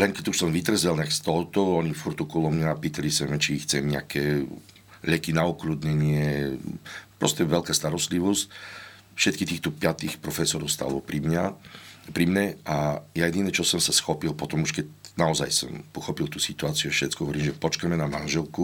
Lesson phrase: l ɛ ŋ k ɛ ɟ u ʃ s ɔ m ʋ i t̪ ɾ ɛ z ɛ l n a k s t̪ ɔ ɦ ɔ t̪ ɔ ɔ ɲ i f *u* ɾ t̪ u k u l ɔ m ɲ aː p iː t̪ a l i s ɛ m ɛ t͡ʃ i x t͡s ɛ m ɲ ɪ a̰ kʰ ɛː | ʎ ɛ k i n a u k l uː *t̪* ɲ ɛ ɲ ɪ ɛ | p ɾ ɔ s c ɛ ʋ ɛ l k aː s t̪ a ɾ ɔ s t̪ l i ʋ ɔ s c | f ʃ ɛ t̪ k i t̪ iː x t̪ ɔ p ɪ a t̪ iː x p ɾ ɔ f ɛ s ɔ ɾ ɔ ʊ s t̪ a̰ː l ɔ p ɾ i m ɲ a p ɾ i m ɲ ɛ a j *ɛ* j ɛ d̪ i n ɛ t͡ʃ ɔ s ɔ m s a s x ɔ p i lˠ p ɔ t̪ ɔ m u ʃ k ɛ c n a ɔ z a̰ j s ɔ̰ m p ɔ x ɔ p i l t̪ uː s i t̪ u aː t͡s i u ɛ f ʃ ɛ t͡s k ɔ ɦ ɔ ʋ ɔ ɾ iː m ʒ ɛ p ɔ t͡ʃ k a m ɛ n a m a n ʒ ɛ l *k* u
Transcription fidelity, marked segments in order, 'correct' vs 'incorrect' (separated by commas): correct, incorrect, incorrect, correct